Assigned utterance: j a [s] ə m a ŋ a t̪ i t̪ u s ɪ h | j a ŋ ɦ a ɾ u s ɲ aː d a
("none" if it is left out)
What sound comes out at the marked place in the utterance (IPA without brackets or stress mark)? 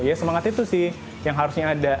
s